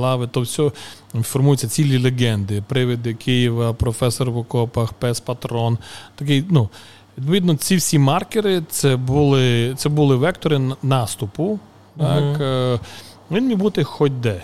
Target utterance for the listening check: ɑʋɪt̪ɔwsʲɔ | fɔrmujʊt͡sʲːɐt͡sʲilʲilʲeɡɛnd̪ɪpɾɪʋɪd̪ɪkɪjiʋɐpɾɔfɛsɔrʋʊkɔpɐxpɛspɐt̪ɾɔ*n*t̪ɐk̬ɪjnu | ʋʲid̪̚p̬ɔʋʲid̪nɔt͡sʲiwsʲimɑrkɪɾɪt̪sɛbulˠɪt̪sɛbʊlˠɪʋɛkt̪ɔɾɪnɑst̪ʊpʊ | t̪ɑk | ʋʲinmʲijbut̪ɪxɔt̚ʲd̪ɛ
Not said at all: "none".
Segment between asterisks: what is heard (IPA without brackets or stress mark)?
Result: n